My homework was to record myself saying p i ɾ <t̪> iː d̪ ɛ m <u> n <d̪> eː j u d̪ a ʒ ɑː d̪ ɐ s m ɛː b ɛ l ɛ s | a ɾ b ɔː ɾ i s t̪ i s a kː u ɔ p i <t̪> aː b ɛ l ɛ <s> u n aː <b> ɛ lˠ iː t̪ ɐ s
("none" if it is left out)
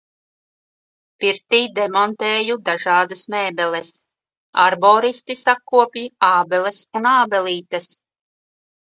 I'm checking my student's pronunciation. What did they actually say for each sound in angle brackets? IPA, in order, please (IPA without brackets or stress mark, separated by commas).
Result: t̪, ɔ, t̪, none, s, b